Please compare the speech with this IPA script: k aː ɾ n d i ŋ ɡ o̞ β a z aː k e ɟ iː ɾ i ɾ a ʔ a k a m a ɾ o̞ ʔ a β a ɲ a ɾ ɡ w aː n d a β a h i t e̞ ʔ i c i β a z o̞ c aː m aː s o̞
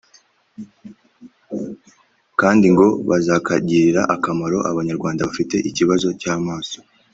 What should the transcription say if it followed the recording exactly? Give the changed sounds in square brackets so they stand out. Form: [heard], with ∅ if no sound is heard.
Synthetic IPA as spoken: k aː [∅] n d i ŋ ɡ o̞ β a z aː k [a] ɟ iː ɾ i ɾ a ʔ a k a m a ɾ o̞ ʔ a β a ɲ a ɾ ɡ w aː n d a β a [f] i t e̞ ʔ i c i β a z o̞ c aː m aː s o̞